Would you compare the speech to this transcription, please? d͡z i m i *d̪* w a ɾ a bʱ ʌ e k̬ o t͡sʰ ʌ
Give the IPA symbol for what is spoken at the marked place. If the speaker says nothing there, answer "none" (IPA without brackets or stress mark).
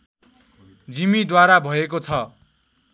d̪